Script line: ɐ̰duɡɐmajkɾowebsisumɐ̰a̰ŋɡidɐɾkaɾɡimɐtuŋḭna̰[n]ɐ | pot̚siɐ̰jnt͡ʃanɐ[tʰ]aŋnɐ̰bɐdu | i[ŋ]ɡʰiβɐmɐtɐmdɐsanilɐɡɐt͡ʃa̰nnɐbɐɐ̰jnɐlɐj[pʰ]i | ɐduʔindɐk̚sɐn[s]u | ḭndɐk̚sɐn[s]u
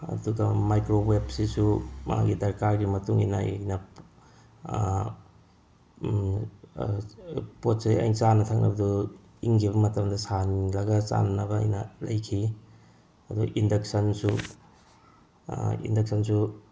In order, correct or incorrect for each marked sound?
correct, correct, correct, incorrect: kʰ, correct, correct

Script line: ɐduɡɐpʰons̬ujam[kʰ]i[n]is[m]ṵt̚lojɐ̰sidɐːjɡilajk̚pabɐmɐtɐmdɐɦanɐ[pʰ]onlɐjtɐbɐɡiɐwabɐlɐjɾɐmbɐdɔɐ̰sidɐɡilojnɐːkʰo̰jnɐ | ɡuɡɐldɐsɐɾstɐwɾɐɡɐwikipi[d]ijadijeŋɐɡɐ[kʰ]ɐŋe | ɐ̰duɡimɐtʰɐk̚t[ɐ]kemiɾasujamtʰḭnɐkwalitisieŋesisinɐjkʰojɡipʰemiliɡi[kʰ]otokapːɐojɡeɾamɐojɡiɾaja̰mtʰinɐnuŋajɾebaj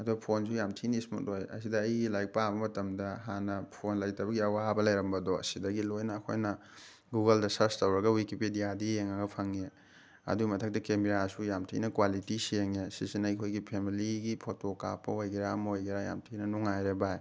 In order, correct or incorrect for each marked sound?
incorrect: tʰ, correct, correct, correct, correct, incorrect: pʰ, correct, incorrect: pʰ

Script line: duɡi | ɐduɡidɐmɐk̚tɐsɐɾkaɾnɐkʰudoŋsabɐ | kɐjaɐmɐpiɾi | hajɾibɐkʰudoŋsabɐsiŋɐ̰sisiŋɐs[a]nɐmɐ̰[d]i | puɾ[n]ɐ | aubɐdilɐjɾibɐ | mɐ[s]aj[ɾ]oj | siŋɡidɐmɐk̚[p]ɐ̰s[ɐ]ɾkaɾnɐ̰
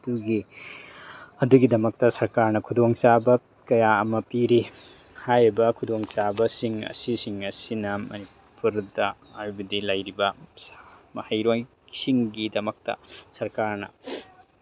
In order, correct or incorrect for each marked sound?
incorrect: i, incorrect: n, incorrect: d, incorrect: h, correct, incorrect: t, correct

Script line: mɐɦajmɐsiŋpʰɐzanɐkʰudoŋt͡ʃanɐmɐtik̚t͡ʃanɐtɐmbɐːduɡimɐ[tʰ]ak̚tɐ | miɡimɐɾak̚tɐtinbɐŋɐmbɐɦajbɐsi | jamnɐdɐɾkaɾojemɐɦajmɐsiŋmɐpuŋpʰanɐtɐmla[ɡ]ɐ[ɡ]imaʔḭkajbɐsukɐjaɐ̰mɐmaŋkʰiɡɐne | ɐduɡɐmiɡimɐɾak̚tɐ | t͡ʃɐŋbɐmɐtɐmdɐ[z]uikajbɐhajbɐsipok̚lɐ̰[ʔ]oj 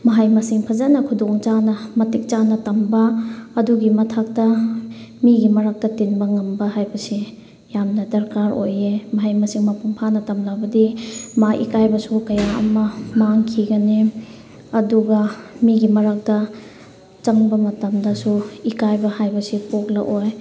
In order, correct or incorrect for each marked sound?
correct, incorrect: b, incorrect: d, incorrect: s, correct

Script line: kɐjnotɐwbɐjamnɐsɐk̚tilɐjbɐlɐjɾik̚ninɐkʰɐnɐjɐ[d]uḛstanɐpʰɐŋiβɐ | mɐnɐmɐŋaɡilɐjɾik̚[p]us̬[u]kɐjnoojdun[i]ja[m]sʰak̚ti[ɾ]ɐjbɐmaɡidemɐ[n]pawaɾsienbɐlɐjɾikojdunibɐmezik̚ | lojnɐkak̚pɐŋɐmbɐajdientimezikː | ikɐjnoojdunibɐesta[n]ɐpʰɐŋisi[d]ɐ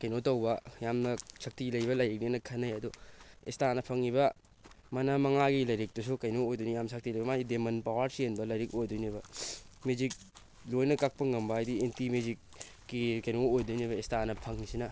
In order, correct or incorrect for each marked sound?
correct, incorrect: t, correct, correct, correct, incorrect: l, correct, correct, incorrect: n

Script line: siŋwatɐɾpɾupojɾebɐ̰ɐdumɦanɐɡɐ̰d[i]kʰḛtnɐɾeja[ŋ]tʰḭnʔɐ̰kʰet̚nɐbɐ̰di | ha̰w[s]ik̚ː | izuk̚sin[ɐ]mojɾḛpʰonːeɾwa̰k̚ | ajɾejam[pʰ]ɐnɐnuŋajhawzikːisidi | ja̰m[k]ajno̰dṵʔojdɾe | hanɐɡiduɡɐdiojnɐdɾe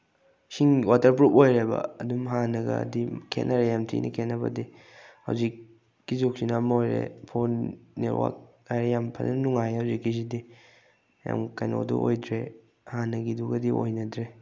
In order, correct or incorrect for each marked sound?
correct, incorrect: m, incorrect: z, incorrect: a, correct, correct

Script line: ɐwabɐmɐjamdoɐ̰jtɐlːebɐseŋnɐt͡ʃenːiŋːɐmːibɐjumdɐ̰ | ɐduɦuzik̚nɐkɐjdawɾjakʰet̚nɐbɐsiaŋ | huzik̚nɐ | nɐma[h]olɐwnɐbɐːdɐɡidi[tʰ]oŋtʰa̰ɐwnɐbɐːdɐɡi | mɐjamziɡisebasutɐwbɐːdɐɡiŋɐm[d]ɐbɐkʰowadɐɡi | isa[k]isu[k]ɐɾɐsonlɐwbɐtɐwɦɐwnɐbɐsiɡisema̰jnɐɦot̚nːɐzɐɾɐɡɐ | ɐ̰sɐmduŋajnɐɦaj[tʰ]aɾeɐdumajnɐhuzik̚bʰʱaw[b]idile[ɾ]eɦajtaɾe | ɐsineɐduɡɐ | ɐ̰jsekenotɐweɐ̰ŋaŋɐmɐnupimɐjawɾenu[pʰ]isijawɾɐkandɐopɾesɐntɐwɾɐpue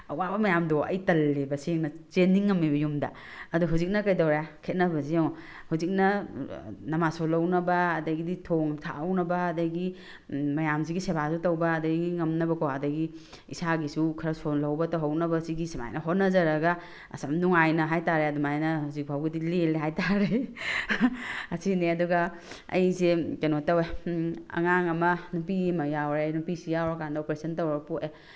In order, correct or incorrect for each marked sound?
incorrect: s, correct, incorrect: n, incorrect: ɡ, incorrect: kʰ, incorrect: t, incorrect: ɡ, incorrect: l, incorrect: p

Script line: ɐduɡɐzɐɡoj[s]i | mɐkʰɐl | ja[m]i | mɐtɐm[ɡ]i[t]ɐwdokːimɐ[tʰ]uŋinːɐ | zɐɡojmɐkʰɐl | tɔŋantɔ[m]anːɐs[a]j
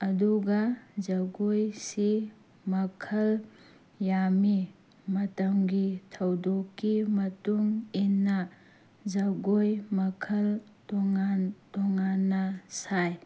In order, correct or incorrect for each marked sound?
correct, correct, correct, incorrect: tʰ, incorrect: t, incorrect: ŋ, correct

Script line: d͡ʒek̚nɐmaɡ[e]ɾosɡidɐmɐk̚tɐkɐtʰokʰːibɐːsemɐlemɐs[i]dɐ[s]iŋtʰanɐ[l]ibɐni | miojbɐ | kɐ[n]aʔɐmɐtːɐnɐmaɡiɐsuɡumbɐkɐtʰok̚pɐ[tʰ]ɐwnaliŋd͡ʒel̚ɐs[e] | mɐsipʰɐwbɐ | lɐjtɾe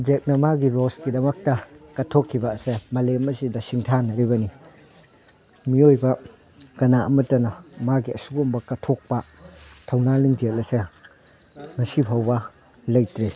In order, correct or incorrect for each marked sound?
incorrect: i, correct, correct, incorrect: ɾ, correct, correct, correct

